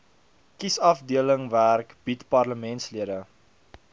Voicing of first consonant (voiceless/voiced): voiceless